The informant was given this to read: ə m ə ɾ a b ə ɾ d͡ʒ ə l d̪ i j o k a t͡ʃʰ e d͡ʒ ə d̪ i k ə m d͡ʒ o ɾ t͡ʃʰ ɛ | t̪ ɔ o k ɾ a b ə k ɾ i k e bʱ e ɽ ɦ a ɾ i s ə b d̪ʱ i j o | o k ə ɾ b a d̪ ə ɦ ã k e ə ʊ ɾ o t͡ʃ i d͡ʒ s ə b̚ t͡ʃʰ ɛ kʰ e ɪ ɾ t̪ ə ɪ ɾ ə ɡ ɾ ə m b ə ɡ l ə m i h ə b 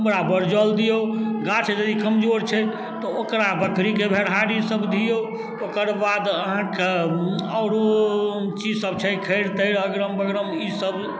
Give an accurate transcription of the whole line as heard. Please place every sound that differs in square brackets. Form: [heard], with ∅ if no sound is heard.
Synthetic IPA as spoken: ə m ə ɾ a b ə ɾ d͡ʒ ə l d̪ i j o [ɡ] a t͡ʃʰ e d͡ʒ ə d̪ i k ə m d͡ʒ o ɾ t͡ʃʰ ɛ | t̪ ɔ o k ɾ a b ə k ɾ i k e bʱ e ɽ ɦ a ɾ i s ə b d̪ʱ i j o | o k ə ɾ b a d̪ ə ɦ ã k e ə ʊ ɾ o t͡ʃ i d͡ʒ s ə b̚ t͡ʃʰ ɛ kʰ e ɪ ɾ t̪ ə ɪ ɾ ə ɡ ɾ ə m b ə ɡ [ɾ] ə m i [s] ə b